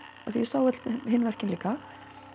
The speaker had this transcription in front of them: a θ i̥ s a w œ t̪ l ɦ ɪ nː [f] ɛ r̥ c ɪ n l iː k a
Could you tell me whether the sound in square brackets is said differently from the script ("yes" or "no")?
yes